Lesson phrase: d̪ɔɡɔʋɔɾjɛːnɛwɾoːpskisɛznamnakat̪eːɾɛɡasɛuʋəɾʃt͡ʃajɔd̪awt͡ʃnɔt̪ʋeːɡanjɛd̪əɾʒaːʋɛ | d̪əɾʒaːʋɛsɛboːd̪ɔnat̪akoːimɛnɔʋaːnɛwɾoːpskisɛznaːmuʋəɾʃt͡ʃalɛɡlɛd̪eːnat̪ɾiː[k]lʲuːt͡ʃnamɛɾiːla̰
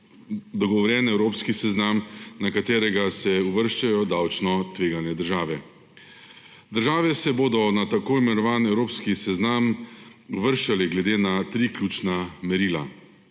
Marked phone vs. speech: correct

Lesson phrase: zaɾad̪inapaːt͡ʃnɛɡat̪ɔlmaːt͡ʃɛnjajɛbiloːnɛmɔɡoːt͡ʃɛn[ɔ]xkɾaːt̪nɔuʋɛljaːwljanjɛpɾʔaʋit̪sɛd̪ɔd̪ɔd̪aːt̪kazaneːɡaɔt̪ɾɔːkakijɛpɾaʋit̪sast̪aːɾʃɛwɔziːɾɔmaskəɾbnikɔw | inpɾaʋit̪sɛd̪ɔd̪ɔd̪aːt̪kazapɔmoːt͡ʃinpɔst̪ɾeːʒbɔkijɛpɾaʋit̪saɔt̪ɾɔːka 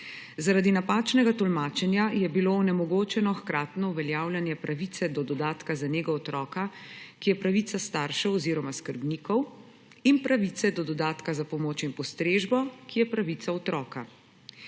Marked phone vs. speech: correct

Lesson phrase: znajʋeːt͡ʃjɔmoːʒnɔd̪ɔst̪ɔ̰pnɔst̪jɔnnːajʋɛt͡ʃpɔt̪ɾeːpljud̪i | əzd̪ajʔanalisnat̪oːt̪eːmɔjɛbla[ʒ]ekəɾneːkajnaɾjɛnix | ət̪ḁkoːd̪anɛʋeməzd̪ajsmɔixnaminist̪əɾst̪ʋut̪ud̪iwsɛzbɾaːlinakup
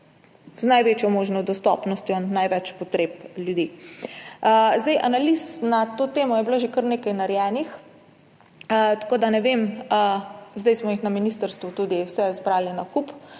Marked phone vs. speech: correct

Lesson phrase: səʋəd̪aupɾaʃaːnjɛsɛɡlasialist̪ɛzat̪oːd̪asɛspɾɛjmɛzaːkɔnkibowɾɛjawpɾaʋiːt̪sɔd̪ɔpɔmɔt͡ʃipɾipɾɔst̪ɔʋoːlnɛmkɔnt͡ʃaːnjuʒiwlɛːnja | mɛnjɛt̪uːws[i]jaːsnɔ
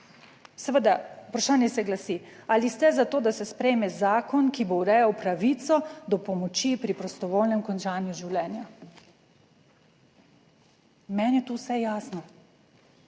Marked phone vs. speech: incorrect: ɛ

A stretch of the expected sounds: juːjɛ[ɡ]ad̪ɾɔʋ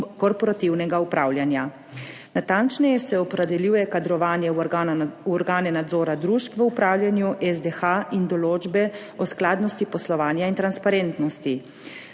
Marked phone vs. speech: incorrect: k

